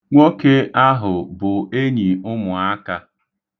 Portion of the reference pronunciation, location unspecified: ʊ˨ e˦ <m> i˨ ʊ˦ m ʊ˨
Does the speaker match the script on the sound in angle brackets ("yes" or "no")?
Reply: no